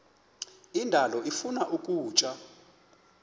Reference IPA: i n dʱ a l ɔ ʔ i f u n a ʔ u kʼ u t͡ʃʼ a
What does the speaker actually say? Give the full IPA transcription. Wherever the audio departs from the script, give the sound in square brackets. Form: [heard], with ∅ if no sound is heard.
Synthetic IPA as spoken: i n dʱ a l ɔ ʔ i f u n a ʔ u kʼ [uː] t͡ʃʼ a